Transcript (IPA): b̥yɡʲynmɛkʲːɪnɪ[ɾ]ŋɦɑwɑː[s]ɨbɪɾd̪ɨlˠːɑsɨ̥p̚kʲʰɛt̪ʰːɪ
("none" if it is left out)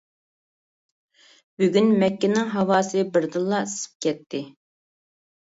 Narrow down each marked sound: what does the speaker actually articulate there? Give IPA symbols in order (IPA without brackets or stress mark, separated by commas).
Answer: none, s